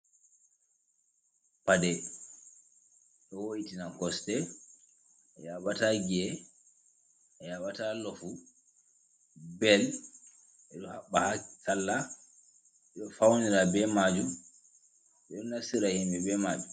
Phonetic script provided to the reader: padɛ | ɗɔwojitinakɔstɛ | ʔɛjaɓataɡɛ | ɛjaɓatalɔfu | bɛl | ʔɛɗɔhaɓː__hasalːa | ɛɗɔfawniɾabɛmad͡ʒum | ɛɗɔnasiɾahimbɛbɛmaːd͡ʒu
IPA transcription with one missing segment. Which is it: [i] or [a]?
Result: a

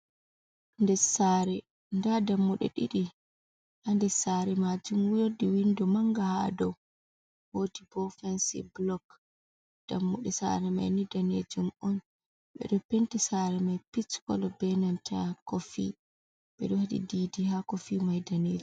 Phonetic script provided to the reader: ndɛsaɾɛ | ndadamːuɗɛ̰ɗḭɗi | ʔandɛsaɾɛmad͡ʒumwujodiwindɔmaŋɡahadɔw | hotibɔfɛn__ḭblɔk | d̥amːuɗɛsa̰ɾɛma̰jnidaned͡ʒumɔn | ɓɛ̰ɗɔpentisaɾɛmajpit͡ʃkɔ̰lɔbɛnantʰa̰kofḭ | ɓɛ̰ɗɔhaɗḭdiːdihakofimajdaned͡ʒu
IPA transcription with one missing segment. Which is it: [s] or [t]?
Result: s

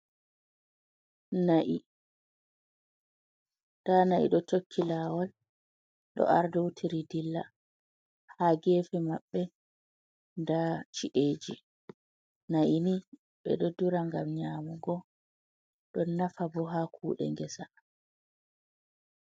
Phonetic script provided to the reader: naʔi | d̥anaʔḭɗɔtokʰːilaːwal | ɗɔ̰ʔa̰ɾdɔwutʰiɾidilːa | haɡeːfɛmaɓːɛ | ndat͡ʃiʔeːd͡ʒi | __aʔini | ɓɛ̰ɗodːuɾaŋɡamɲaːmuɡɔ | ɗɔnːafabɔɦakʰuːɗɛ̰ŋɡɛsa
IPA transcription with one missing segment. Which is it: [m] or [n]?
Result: n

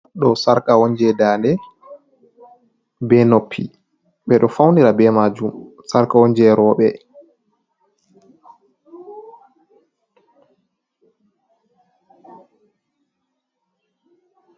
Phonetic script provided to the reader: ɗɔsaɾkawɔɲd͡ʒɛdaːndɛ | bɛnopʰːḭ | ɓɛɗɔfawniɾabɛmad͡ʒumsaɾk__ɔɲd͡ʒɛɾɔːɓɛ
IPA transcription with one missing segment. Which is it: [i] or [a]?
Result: a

